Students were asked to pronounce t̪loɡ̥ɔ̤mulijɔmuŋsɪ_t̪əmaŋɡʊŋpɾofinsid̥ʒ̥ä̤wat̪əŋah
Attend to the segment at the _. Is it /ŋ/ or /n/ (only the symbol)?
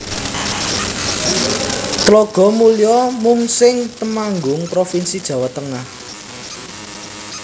ŋ